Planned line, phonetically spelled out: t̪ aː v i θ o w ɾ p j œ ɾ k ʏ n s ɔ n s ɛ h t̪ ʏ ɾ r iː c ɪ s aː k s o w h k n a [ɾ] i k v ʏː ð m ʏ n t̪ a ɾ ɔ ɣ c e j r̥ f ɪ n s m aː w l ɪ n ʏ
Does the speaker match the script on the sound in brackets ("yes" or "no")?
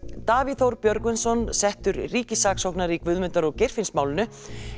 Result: yes